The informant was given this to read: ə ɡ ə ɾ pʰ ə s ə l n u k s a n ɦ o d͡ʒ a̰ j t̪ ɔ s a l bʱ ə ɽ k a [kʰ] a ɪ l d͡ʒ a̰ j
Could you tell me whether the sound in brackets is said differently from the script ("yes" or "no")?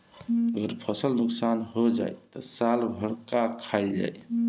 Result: no